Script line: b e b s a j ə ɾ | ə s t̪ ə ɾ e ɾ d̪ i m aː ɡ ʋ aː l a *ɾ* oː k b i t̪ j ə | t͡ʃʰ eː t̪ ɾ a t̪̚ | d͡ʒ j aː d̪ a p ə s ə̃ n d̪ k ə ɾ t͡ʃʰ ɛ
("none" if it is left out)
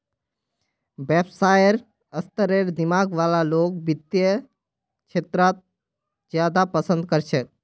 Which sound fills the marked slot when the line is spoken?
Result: l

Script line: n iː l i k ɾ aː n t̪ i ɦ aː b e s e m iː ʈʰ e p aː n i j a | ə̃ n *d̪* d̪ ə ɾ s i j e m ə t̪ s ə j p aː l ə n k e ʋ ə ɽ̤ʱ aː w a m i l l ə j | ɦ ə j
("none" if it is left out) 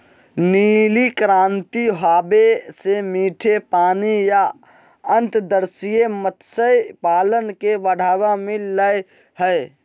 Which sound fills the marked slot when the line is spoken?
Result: t̪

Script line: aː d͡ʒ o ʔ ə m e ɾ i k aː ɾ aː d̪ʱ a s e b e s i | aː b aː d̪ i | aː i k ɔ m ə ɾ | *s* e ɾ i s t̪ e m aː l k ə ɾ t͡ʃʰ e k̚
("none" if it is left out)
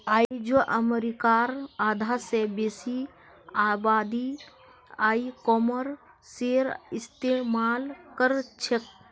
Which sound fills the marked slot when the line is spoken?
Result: s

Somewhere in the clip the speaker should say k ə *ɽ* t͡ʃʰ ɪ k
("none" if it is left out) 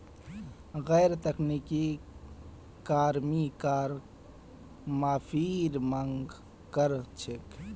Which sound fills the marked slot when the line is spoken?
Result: ɾ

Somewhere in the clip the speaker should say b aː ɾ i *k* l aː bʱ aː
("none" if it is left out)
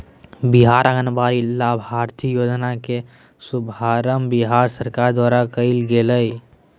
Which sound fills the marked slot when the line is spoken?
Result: none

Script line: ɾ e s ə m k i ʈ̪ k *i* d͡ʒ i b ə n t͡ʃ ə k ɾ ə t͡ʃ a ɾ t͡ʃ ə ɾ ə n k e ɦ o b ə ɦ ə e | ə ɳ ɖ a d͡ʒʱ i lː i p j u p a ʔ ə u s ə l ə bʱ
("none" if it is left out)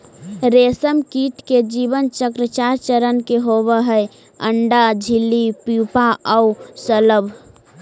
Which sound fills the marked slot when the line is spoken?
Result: e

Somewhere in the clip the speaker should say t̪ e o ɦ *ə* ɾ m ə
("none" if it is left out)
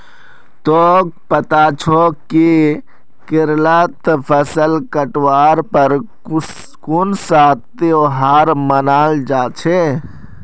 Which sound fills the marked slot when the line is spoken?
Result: a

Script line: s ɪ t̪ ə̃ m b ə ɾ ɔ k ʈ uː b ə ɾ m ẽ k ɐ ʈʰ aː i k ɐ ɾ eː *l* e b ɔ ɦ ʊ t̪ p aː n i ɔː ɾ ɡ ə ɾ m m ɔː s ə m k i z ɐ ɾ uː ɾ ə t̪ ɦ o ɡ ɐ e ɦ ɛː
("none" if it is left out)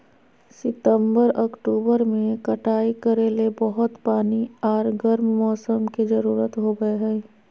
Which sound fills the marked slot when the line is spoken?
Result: l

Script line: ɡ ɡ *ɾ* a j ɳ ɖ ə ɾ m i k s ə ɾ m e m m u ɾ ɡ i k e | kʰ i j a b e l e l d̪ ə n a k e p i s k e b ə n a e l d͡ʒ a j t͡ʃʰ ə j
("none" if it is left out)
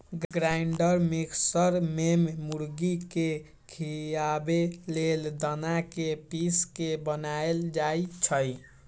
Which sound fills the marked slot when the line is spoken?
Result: ɾ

